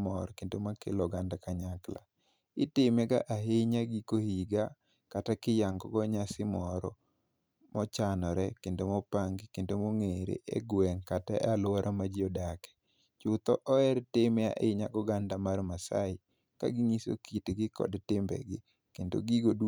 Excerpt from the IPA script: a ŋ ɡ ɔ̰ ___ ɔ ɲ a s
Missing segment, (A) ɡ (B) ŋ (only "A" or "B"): A